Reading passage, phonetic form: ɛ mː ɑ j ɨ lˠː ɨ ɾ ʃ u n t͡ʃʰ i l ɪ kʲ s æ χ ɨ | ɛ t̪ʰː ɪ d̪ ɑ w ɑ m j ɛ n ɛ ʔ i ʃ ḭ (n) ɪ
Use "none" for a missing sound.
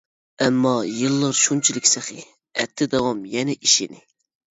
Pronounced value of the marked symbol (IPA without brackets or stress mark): n